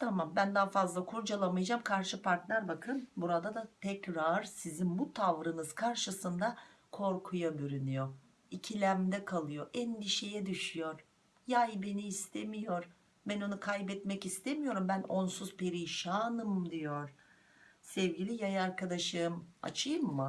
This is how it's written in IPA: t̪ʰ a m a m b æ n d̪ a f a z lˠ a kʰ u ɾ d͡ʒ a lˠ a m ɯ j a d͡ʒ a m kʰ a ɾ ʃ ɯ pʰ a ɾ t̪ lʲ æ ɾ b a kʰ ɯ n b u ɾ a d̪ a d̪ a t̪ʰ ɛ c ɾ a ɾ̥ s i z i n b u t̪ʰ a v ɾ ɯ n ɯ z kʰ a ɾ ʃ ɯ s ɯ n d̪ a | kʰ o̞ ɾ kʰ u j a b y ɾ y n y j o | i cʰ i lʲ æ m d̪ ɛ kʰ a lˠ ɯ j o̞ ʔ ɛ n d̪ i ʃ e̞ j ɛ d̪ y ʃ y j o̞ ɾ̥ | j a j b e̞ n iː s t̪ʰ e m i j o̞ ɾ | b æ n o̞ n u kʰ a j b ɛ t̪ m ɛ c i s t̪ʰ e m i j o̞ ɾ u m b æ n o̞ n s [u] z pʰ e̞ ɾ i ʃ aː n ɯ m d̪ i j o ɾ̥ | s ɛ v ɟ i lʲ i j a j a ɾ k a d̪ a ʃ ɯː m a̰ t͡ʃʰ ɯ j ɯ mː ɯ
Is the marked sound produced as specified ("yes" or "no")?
yes